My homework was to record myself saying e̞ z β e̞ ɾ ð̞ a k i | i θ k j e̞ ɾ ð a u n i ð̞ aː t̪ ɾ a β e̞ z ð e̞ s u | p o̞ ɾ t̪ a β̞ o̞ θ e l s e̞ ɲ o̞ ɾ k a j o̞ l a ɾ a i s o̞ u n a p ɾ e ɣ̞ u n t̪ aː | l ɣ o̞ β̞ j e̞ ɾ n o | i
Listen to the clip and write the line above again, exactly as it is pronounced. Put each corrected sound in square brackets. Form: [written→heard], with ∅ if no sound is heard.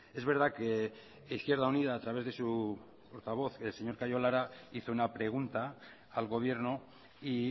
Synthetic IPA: e̞ z β e̞ ɾ ð̞ a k [i→e] | i θ k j e̞ ɾ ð a u n i ð̞ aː t̪ ɾ a β e̞ z ð e̞ s u | p o̞ ɾ t̪ a β̞ o̞ θ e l s e̞ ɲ o̞ ɾ k a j o̞ l a ɾ a i [s→θ] o̞ u n a p ɾ e ɣ̞ u n t̪ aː | l ɣ o̞ β̞ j e̞ ɾ n o | i